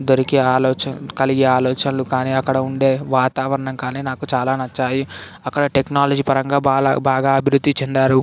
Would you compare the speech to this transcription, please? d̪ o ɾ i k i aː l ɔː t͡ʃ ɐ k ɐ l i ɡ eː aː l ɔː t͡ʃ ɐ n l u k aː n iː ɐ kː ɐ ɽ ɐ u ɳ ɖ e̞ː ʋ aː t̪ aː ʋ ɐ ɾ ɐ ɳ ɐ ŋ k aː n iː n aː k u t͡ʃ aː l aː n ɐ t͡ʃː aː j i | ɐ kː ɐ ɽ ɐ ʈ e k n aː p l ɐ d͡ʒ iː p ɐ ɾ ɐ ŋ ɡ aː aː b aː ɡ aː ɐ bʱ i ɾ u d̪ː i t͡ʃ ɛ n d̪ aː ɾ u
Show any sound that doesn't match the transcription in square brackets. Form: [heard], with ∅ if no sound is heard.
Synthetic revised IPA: d̪ o ɾ i k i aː l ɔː t͡ʃ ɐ k ɐ l i ɡ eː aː l ɔː t͡ʃ ɐ n l u k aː n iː ɐ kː ɐ ɽ ɐ u ɳ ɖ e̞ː ʋ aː t̪ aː ʋ ɐ ɾ ɐ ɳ ɐ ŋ k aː n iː n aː k u t͡ʃ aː l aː n ɐ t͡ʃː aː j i | ɐ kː ɐ ɽ ɐ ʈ e k n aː [∅] l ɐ d͡ʒ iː p ɐ ɾ ɐ ŋ ɡ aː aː b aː ɡ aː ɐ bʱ i ɾ u d̪ː i t͡ʃ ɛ n d̪ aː ɾ u